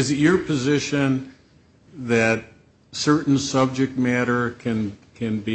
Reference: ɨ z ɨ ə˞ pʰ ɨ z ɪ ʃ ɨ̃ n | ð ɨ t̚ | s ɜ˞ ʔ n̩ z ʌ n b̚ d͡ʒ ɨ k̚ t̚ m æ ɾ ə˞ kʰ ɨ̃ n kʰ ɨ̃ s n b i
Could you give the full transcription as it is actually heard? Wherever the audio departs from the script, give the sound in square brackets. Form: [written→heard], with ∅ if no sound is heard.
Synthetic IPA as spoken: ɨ z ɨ ə˞ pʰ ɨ z ɪ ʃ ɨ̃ n | ð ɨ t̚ | s ɜ˞ ʔ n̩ [z→s] ʌ [n→∅] b̚ d͡ʒ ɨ k̚ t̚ m æ ɾ ə˞ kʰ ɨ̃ n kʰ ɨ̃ [s→∅] n b i